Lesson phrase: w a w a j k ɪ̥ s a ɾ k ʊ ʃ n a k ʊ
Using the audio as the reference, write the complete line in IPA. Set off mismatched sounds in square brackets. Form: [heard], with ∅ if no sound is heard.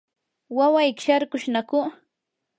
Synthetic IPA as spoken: w a w a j k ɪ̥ [ʃ] a ɾ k ʊ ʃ n a k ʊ